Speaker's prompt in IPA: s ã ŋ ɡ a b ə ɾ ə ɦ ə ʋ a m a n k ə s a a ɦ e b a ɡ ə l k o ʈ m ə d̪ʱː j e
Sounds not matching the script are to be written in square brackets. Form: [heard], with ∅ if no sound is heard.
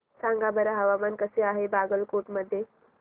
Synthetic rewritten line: s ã ŋ ɡ a b ə ɾ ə ɦ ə ʋ a m a n k ə s [e] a ɦ e b a ɡ ə l k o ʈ m ə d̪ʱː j e